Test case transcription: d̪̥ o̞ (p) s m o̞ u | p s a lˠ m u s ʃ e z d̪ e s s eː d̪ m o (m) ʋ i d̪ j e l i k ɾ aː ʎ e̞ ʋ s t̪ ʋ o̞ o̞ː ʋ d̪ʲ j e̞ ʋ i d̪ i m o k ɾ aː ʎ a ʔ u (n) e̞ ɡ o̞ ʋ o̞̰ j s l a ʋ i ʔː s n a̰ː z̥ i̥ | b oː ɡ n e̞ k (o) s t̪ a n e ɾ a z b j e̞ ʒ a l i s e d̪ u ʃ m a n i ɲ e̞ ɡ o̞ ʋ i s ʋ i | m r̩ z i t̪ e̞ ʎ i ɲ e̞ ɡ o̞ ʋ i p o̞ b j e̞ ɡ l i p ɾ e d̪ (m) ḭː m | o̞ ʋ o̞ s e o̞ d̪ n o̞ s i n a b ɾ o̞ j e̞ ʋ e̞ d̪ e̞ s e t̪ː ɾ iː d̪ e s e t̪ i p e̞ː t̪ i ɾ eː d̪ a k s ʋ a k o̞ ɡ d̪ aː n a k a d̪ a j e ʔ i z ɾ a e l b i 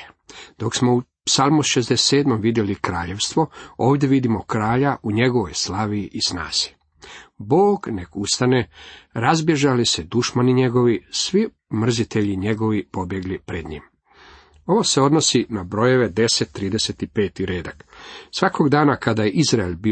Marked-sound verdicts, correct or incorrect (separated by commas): incorrect, correct, incorrect, incorrect, incorrect